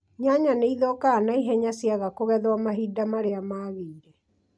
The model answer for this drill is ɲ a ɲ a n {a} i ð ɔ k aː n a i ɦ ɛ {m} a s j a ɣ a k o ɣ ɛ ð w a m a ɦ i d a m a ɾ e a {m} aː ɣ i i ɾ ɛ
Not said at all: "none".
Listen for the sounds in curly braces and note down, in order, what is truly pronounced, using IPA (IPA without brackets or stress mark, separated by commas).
e, ɲ, m